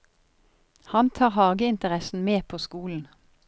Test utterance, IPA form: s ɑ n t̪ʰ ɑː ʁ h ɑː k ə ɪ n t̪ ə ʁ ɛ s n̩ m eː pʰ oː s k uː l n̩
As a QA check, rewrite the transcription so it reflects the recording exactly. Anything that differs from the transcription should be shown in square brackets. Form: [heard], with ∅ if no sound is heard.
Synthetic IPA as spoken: [h] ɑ n t̪ʰ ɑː ʁ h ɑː [ɡ] ə ɪ n t̪ ə ʁ ɛ s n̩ m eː pʰ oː s k uː l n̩